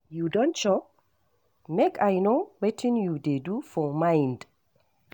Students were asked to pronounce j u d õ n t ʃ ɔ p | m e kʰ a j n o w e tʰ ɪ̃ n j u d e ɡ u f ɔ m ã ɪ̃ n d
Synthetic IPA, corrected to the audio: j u d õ n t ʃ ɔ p | m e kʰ a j n o w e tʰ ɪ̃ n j u d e d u f ɔ m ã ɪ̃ n d